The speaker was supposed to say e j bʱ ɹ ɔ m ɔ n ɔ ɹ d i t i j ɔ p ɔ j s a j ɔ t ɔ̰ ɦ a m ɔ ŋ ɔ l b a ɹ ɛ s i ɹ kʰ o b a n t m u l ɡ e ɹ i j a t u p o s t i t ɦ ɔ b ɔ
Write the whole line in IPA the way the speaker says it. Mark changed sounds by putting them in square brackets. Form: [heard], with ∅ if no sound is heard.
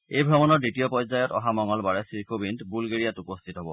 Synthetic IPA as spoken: e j bʱ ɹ ɔ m ɔ n ɔ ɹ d i t i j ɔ p ɔ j [z] a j ɔ t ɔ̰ ɦ a m ɔ ŋ ɔ l b a ɹ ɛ s i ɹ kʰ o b [i] n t [b] u l ɡ e ɹ i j a t u p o s [tʰ] i t ɦ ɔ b ɔ